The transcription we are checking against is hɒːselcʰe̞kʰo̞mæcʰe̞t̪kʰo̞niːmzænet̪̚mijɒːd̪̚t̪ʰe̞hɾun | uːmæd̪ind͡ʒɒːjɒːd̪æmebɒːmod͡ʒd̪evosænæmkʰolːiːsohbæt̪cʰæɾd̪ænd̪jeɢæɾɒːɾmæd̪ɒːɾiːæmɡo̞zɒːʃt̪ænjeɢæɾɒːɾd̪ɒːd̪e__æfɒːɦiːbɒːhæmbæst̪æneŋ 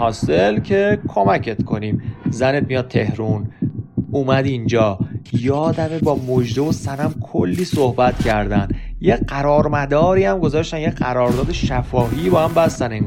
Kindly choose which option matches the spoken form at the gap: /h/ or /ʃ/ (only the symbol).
ʃ